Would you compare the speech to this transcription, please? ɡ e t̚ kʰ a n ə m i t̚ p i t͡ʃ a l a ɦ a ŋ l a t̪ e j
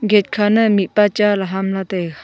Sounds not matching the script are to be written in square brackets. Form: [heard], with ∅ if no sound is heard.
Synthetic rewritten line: ɡ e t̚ kʰ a n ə m i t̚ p [a] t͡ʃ a l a ɦ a [m] l a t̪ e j